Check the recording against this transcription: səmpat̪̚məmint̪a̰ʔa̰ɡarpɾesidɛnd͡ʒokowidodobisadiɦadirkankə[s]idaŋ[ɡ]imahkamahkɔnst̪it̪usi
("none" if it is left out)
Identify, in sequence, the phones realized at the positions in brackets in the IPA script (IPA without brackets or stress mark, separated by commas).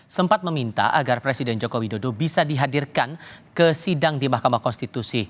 s, d